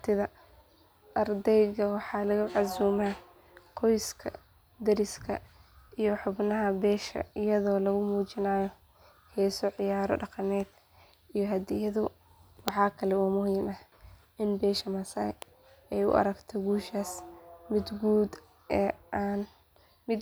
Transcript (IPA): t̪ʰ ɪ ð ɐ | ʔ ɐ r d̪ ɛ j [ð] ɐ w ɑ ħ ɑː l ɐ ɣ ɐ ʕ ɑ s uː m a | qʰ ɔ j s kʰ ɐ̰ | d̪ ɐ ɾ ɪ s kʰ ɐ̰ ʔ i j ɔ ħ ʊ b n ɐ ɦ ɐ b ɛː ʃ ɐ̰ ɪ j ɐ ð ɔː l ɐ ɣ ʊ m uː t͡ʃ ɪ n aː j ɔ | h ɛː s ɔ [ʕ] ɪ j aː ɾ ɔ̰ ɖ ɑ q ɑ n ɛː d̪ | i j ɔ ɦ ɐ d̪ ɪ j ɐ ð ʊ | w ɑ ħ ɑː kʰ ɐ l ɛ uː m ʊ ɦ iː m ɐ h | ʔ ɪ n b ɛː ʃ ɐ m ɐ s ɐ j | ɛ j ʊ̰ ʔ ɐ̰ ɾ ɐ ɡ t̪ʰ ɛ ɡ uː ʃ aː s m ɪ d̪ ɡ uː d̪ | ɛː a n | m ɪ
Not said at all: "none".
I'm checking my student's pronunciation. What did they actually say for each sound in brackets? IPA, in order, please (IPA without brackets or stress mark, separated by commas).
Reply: ɣ, ʕ